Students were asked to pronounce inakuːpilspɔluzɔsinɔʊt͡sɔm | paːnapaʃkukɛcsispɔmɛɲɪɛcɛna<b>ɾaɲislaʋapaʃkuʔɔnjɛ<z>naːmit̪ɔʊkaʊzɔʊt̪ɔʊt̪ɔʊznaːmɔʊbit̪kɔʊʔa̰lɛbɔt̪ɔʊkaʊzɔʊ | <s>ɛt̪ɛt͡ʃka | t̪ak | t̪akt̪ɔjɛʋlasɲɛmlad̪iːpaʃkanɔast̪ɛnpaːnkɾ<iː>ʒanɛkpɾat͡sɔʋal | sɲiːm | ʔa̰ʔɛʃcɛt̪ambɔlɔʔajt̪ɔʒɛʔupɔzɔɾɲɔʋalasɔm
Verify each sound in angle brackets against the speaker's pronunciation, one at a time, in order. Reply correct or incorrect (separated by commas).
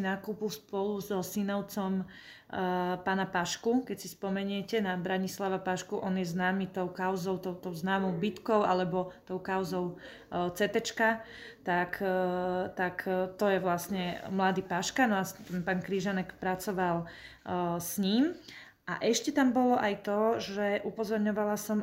correct, correct, incorrect, incorrect